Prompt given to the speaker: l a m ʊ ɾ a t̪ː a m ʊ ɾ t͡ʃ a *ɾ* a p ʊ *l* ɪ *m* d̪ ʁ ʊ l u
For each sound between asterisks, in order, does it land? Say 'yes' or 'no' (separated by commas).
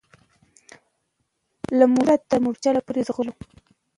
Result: no, no, no